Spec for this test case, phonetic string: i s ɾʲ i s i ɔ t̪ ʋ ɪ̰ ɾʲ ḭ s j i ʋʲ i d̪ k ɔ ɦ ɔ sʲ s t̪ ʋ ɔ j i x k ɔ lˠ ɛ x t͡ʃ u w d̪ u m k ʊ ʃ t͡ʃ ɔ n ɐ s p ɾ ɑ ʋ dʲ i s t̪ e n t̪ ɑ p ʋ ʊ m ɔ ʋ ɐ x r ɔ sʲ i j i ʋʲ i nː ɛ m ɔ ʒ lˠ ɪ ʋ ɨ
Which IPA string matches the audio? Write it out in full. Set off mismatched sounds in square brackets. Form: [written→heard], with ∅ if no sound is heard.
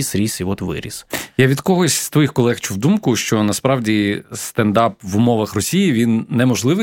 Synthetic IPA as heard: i s ɾʲ i s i ɔ t̪ ʋ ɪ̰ ɾʲ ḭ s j [i→a] ʋʲ i d̪ k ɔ ɦ ɔ sʲ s t̪ ʋ ɔ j i x k ɔ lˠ ɛ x t͡ʃ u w d̪ u m k ʊ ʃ t͡ʃ ɔ n ɐ s p ɾ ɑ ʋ dʲ i s t̪ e n [t̪→d̪] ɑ p ʋ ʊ m ɔ ʋ ɐ x r ɔ sʲ i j i ʋʲ i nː ɛ m ɔ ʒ lˠ ɪ ʋ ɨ